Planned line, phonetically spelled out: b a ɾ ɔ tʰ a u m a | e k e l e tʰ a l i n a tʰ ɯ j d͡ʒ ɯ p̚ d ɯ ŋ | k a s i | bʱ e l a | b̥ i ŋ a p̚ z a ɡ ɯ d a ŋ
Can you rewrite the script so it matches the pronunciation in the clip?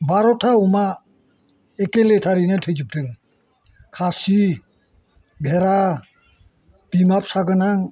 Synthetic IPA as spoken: b a ɾ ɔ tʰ a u m a | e k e l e tʰ a ɾ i n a tʰ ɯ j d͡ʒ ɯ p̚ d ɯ ŋ | kʰ a s i | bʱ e ɾ a | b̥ i m a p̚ s a ɡ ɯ n a ŋ